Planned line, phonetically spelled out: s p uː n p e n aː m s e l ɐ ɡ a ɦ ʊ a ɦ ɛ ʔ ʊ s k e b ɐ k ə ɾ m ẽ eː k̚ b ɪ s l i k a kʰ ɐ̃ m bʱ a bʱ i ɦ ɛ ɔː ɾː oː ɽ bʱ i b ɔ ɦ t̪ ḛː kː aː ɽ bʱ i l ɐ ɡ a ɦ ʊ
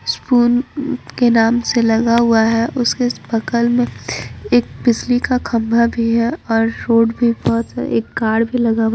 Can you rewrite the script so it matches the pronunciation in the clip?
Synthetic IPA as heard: s p uː n k e n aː m s e l ɐ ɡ a ɦ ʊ a ɦ ɛ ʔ ʊ s k e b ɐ k ə l m ẽ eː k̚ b ɪ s l i k a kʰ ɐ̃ m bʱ a bʱ i ɦ ɛ ɔː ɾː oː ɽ bʱ i b ɔ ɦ t̪ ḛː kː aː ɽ bʱ i l ɐ ɡ a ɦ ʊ